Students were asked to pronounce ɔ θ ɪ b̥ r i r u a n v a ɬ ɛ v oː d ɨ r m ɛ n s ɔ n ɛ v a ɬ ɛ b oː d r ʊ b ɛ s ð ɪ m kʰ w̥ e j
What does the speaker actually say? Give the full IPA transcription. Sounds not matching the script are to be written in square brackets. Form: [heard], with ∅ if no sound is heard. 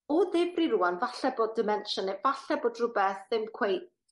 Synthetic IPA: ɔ [ð] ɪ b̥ r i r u a n v a ɬ ɛ [b] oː d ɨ [∅] m ɛ n [ʃ] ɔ n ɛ v a ɬ ɛ b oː d r ʊ b ɛ [θ] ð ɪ m kʰ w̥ e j